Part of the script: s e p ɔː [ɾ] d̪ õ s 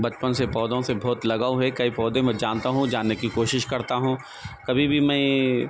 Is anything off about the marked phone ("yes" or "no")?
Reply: yes